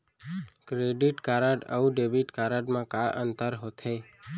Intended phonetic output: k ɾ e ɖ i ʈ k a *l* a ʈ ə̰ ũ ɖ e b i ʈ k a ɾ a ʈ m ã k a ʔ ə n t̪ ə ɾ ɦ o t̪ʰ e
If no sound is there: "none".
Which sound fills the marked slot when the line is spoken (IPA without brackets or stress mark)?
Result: ɾ